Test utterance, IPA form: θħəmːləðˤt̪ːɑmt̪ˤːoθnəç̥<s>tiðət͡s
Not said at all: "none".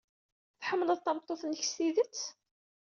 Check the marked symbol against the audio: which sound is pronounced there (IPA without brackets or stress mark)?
s